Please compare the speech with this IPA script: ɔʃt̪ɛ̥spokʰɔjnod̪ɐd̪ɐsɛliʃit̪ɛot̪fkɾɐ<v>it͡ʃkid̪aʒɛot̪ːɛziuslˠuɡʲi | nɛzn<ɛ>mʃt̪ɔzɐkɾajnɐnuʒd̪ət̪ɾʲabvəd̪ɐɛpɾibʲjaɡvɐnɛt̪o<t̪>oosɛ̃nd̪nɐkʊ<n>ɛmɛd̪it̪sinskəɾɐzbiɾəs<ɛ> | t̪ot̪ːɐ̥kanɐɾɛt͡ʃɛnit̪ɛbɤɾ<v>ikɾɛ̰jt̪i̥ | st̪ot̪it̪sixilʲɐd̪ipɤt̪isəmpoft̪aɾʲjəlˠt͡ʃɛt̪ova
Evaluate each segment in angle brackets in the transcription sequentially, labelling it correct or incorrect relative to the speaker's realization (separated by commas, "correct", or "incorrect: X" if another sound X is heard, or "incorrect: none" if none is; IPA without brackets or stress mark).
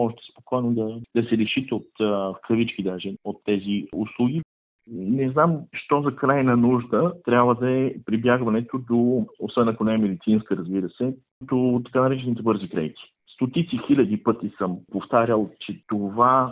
correct, incorrect: a, incorrect: d̪, correct, correct, incorrect: z